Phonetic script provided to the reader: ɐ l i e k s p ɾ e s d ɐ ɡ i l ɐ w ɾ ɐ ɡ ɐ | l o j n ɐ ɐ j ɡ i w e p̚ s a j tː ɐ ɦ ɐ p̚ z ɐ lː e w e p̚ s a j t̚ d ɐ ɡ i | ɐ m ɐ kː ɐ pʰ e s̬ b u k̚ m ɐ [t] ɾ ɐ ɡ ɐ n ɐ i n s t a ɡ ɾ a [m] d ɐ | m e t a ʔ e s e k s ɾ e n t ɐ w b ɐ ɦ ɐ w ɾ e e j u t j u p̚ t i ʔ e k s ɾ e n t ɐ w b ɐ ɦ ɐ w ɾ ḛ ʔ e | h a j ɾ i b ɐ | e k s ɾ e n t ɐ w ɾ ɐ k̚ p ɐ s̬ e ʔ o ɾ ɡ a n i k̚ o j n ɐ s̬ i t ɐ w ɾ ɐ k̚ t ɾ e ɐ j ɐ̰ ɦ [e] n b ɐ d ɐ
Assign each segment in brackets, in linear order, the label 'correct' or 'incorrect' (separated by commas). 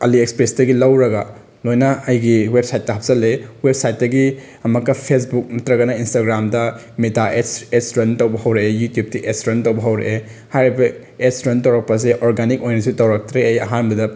correct, correct, incorrect